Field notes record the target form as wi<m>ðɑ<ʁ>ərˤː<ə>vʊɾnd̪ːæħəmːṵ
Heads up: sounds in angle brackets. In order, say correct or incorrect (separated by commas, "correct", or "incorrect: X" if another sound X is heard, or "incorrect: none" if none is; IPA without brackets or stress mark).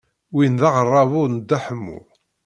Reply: incorrect: n, correct, incorrect: ɑ